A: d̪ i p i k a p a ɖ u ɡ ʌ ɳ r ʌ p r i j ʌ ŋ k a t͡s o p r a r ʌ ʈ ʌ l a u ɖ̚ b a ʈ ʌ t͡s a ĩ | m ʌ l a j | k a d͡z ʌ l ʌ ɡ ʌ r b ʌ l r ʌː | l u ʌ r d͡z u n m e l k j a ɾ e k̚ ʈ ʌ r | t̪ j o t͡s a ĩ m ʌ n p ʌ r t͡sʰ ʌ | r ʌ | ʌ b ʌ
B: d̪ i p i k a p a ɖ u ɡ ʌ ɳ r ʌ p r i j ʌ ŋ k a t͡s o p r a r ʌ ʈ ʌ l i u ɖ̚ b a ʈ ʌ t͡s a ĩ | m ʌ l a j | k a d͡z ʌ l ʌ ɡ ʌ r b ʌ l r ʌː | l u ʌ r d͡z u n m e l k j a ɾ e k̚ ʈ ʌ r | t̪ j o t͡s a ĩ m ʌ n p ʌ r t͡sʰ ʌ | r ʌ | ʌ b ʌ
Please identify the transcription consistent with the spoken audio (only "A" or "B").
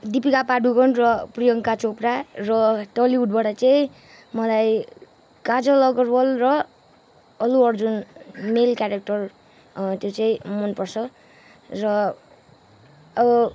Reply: B